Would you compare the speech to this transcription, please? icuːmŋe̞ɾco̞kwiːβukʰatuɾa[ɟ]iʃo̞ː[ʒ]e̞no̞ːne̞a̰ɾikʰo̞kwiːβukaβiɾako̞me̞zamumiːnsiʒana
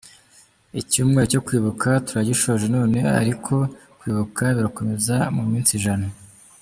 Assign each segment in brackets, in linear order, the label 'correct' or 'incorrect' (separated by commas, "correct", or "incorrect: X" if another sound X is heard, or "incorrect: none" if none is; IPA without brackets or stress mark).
correct, correct